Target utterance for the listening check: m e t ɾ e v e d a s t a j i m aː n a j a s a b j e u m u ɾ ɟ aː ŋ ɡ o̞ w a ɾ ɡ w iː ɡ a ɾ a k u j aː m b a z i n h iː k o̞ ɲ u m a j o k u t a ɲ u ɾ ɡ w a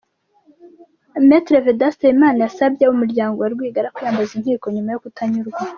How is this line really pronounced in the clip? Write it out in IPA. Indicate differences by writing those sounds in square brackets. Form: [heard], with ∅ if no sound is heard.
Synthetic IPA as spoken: m e t ɾ e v e d a s t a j i m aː n a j a s a b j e u m u ɾ ɟ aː ŋ ɡ o̞ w a ɾ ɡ w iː ɡ a ɾ a k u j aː m b a z i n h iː k o̞ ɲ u m a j o k u t a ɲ u ɾ ɡ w a